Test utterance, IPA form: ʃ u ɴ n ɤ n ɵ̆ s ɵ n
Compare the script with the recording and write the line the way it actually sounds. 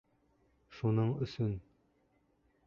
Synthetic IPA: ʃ u n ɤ ɴ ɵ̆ s ɵ n